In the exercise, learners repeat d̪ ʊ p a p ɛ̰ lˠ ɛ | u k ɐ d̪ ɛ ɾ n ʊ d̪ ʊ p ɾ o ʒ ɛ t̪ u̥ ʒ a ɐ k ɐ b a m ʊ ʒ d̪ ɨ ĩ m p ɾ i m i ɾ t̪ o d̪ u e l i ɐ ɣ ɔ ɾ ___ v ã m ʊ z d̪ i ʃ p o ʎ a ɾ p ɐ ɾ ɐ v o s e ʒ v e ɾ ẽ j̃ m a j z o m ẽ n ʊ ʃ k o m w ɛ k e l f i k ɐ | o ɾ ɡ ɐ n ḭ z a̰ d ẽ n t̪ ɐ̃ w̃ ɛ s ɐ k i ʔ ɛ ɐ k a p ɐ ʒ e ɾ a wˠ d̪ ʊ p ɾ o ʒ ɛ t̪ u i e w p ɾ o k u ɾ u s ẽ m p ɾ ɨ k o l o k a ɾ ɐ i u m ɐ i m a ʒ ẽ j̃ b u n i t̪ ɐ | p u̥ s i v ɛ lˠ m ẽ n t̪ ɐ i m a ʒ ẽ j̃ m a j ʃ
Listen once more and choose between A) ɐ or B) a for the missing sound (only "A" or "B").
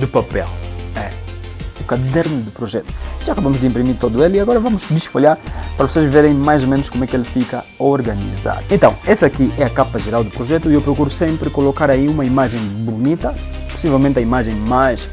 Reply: A